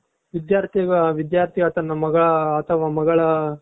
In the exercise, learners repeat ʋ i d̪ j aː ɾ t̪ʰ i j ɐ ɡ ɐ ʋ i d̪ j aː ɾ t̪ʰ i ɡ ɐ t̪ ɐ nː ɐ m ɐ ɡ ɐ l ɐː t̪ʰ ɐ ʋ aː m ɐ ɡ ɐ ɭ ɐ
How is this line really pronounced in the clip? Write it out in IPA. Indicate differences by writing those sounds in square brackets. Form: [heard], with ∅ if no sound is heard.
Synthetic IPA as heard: ʋ i d̪ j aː ɾ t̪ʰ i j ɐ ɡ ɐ ʋ i d̪ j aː ɾ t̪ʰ i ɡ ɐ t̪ ɐ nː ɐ m ɐ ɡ ɐ [ɭ] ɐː t̪ʰ ɐ ʋ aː m ɐ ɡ ɐ ɭ ɐ